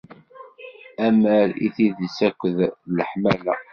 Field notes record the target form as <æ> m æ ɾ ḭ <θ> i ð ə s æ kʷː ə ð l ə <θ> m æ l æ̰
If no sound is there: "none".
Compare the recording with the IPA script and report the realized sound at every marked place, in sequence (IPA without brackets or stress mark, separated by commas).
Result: æ, θ, ħ